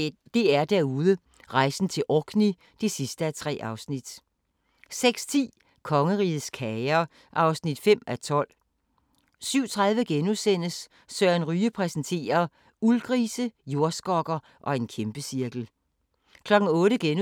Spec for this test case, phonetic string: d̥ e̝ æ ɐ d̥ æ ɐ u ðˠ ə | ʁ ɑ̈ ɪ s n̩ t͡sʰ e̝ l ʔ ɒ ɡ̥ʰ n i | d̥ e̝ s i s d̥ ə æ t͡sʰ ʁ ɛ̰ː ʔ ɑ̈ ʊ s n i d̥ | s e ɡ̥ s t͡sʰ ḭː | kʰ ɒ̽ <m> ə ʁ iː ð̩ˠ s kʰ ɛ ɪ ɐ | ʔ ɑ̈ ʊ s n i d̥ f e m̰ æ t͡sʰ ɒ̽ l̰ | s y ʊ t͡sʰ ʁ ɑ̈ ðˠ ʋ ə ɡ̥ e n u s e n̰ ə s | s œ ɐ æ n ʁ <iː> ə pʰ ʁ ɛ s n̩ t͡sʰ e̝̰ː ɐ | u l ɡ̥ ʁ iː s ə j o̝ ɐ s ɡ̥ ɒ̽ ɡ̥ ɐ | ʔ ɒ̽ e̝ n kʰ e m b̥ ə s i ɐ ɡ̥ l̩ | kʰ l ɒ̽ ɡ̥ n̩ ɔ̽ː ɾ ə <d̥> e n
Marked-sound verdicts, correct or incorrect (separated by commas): incorrect, incorrect, incorrect